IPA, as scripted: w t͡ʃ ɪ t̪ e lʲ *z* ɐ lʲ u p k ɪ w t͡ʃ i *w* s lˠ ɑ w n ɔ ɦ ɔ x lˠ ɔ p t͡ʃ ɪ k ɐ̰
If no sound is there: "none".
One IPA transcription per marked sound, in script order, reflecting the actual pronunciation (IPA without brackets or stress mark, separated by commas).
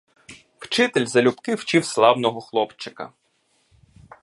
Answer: z, w